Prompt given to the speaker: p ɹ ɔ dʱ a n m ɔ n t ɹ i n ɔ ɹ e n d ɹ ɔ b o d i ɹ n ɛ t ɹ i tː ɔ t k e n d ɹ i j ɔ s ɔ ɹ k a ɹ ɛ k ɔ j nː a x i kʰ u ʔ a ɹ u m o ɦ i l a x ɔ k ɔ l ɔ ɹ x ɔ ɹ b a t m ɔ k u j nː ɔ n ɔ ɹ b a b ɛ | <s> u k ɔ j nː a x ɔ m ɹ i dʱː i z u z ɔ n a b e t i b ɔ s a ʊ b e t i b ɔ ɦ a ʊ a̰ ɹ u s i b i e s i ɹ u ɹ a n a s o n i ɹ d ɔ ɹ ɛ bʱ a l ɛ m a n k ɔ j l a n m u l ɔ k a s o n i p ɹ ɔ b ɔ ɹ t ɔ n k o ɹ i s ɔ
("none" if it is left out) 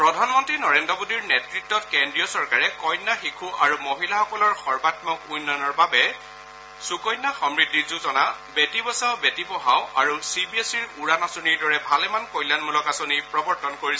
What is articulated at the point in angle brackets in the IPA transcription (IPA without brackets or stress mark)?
s